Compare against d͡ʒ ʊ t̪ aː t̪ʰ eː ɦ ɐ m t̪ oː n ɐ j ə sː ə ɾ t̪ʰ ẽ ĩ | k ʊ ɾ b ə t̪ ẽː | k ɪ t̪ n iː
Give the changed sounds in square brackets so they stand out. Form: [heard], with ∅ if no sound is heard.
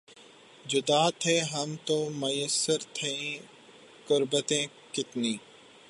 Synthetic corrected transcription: d͡ʒ ʊ [d̪] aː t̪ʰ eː ɦ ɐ m t̪ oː [m] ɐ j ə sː ə ɾ t̪ʰ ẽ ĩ | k ʊ ɾ b ə t̪ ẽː | k ɪ t̪ n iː